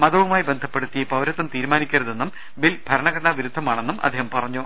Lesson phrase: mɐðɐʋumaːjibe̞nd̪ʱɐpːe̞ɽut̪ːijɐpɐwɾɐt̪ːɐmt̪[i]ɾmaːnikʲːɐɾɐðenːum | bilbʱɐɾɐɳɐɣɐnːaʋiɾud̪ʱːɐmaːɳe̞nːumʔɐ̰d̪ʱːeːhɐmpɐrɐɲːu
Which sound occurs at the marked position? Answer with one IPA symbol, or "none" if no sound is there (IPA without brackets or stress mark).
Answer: iː